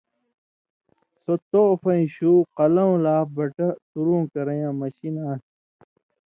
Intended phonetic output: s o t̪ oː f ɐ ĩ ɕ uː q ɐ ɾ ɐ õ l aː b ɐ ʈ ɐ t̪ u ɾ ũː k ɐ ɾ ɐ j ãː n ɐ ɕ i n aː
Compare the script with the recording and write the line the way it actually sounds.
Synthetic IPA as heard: s o t̪ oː f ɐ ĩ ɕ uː q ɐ l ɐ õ l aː b ɐ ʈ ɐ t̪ u ɾ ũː k ɐ ɾ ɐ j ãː m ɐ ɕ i n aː